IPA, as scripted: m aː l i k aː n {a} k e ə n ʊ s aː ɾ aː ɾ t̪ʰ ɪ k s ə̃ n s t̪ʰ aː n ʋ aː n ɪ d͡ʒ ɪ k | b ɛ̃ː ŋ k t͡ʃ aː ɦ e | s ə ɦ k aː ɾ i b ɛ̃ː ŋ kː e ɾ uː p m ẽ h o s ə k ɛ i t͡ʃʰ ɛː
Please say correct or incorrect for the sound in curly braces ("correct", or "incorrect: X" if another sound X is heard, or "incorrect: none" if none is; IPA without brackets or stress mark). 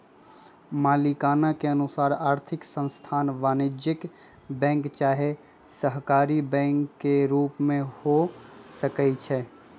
correct